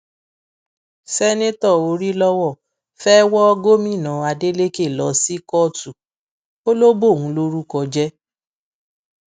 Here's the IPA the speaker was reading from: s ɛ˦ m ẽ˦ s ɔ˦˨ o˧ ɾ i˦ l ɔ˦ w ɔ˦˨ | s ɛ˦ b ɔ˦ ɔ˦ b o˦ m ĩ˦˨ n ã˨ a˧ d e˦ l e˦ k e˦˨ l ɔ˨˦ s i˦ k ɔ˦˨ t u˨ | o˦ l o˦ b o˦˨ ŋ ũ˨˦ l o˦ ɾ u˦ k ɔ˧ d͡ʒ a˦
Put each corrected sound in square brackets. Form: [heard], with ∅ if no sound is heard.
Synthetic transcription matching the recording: s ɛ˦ [n] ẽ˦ [t] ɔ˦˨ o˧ ɾ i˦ l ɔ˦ w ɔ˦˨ | [f] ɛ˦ [w] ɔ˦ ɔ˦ [ɡ] o˦ m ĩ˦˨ n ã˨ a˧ d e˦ l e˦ k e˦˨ l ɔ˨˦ s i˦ k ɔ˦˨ t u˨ | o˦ l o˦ b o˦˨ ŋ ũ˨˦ l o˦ ɾ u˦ k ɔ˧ d͡ʒ [ɛ˦]